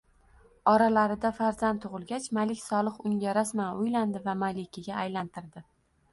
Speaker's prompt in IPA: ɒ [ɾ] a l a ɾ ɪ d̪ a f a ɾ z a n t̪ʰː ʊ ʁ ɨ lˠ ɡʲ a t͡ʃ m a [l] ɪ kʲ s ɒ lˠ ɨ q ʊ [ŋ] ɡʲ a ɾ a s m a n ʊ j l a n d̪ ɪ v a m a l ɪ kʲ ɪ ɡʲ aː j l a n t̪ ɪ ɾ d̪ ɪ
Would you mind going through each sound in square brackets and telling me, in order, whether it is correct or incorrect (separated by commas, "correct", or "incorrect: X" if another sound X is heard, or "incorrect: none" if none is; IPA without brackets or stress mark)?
correct, correct, correct